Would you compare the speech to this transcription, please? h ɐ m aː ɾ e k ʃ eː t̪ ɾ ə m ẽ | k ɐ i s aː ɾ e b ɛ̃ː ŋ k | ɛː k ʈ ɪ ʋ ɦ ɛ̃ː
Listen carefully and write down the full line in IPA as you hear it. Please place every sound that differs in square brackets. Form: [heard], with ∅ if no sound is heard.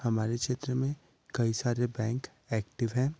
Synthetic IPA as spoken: h ɐ m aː ɾ e k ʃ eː t̪ ɾ ə m ẽ | k ɐ i s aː ɾ e b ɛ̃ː ŋ k | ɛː k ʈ ɪ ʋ ɦ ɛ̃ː